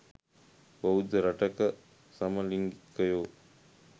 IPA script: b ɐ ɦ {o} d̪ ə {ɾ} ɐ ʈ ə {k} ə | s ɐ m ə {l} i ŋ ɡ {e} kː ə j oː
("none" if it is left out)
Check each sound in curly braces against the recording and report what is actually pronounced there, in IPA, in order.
u, ɾ, k, l, i

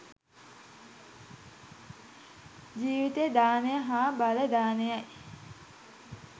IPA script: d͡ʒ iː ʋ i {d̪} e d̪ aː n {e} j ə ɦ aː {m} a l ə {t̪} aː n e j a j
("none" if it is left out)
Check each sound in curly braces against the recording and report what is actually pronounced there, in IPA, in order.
t̪, e, b, d̪

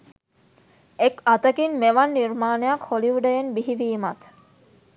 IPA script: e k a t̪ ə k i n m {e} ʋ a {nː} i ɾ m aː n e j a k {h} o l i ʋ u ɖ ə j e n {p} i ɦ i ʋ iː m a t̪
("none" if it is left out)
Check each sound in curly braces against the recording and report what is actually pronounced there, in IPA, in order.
e, nː, h, b

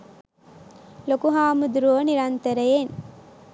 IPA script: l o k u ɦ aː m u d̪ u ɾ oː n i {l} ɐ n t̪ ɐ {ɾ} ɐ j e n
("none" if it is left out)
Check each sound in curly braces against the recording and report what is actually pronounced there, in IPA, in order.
ɾ, ɾ

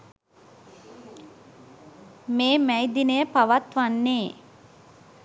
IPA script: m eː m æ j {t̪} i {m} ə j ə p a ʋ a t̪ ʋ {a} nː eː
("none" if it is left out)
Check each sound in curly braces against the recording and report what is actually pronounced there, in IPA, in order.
d̪, n, a

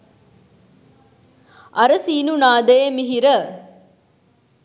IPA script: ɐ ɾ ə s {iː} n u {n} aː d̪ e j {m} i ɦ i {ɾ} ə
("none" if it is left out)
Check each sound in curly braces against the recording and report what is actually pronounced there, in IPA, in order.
iː, n, m, ɾ

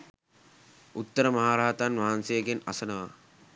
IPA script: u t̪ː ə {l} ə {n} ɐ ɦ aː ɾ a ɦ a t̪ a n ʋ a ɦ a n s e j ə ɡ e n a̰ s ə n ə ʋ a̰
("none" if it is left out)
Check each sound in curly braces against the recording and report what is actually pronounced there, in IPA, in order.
ɾ, m

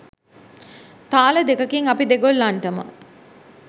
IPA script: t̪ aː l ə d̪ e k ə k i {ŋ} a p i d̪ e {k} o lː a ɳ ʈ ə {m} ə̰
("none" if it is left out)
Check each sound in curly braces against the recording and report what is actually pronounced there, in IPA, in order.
ŋ, ɡ, m

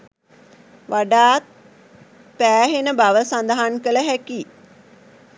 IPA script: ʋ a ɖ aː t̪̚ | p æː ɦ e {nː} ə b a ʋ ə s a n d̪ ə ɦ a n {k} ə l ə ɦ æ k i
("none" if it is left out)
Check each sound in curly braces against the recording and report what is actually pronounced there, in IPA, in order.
n, k

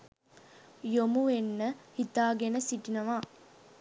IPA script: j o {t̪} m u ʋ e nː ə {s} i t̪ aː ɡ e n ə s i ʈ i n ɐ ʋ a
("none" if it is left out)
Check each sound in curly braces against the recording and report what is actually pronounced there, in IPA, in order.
none, h

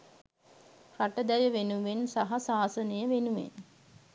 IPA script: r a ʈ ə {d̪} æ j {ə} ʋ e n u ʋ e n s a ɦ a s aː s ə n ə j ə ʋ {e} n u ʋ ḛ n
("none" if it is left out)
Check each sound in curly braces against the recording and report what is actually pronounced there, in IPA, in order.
d̪, ə, e

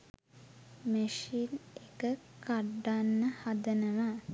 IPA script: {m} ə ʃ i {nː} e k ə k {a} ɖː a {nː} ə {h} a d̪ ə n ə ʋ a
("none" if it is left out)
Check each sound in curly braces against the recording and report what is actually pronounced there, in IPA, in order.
m, n, a, nː, h

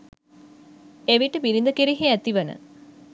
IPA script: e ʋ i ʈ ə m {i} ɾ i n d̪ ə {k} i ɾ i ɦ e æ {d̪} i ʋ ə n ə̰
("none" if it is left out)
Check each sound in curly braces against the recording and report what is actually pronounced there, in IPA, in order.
i, k, t̪

